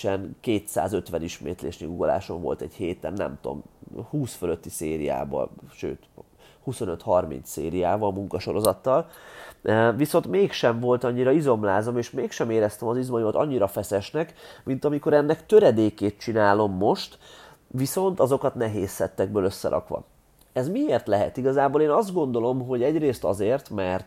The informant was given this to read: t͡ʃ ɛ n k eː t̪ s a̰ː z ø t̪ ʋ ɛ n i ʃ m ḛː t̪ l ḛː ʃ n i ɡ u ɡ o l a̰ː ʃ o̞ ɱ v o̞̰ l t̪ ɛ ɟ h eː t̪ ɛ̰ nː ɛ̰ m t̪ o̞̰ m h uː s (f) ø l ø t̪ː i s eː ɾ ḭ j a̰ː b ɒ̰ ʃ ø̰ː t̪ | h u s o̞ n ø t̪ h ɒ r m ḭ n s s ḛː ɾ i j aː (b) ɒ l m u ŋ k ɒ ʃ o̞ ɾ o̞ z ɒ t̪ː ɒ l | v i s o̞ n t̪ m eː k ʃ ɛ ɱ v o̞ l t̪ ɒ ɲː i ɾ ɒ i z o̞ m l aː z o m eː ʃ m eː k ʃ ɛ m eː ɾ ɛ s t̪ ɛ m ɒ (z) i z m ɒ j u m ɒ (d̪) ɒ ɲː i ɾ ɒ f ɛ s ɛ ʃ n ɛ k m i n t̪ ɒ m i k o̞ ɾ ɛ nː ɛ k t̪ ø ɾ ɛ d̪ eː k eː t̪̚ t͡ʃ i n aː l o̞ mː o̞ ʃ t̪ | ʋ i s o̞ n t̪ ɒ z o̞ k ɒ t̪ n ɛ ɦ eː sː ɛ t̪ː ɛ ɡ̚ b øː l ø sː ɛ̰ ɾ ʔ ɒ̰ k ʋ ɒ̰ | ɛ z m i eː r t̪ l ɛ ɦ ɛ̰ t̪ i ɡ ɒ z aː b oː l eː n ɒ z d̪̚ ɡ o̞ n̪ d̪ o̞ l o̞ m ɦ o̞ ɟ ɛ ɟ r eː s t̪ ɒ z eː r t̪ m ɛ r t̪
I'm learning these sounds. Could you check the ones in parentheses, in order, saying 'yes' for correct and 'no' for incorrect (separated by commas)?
yes, no, yes, no